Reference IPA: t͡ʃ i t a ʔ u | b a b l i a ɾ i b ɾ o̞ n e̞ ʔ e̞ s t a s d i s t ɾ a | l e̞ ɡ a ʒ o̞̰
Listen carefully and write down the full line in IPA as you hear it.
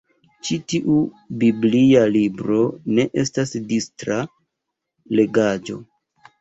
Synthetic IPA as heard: t͡ʃ i t i ʔ u | b i b l i a l i b ɾ o̞ n e̞ ʔ e̞ s t a s d i s t ɾ a | l e̞ ɡ a d͡ʒ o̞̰